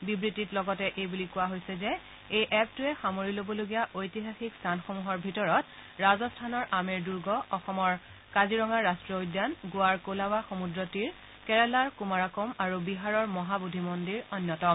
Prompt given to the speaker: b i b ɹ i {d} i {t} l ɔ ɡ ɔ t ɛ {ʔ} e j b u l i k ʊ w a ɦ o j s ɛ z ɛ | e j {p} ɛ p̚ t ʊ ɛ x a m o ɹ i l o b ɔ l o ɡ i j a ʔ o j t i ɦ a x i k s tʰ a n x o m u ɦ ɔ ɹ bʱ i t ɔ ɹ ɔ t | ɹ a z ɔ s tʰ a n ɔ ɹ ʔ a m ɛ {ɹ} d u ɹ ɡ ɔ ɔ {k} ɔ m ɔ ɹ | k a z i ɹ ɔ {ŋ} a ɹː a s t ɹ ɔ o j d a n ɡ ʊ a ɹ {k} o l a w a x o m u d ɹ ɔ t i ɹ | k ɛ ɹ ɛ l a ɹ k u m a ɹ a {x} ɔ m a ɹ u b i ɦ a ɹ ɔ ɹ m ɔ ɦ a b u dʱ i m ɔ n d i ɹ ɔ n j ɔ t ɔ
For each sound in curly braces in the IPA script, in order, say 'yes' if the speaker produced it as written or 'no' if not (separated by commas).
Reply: no, yes, yes, no, yes, no, yes, yes, no